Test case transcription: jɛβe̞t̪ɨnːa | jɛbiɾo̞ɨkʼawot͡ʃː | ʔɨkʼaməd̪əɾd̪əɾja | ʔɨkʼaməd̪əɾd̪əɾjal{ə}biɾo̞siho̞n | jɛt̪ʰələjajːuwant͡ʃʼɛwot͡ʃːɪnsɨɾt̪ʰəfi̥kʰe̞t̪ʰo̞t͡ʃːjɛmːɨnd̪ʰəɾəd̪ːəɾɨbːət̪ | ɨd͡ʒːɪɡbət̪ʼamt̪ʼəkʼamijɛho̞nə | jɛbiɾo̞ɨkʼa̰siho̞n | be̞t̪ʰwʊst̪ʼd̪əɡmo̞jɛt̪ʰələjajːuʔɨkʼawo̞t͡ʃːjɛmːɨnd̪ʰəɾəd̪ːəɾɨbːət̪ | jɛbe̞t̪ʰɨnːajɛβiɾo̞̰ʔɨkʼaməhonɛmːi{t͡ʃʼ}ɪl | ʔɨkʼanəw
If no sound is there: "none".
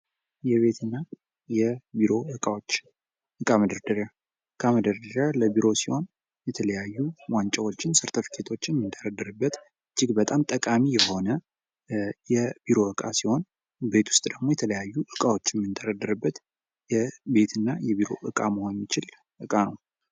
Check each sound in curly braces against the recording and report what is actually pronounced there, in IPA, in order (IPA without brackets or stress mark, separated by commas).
ə, t͡ʃ